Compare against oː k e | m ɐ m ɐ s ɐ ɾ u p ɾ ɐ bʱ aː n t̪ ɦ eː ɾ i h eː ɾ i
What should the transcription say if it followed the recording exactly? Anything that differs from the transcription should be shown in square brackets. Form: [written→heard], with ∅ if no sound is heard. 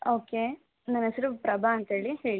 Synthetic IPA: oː k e | [m→n] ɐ [m→n] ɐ s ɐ ɾ u p ɾ ɐ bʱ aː n t̪ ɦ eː [ɾ→ɭ] i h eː [ɾ→ɭ] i